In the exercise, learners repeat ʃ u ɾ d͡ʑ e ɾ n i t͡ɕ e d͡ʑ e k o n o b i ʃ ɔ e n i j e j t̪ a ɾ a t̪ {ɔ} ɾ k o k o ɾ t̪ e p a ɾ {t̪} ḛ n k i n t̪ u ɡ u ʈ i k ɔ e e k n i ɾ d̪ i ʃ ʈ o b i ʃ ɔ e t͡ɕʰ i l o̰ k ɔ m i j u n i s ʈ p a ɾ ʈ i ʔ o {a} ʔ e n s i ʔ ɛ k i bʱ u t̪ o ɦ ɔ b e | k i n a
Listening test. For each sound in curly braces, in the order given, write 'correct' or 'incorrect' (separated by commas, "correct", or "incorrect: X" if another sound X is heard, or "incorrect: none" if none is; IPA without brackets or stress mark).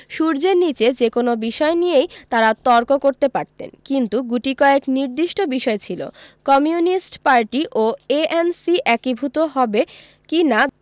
correct, correct, incorrect: e